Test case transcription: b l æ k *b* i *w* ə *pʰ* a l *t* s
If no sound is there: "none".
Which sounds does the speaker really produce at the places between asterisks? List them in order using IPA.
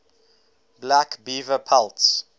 b, v, pʰ, t

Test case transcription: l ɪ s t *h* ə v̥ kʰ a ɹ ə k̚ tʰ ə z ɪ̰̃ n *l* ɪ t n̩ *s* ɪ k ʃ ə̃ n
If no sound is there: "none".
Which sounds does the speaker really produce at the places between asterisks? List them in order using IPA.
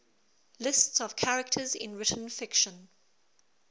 s, ɹ, f

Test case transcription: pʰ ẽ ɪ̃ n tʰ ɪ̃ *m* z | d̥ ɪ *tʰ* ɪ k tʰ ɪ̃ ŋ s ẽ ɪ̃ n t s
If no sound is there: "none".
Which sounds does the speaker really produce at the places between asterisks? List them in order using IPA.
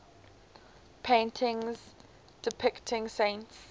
ŋ, pʰ

